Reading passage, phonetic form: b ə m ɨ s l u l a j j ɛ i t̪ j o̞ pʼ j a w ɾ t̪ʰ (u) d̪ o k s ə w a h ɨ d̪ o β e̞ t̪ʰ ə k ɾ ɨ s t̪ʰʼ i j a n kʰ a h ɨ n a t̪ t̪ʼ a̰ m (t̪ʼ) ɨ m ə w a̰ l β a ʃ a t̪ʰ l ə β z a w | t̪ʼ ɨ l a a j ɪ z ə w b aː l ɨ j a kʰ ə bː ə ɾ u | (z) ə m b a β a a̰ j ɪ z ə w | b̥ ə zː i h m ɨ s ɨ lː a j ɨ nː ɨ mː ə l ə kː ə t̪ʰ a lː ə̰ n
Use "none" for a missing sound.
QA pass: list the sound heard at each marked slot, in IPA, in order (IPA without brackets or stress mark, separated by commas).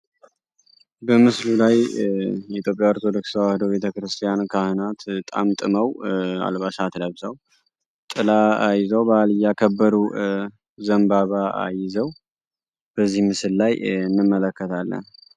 o, t̪ʼ, z